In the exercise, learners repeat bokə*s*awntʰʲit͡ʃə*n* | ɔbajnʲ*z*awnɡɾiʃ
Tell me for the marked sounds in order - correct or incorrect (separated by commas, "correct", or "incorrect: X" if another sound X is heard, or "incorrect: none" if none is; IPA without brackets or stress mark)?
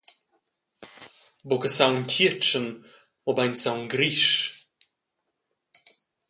correct, correct, incorrect: s